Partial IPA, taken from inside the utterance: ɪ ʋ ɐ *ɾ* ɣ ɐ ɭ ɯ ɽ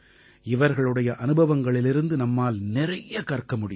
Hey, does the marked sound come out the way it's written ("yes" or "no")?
yes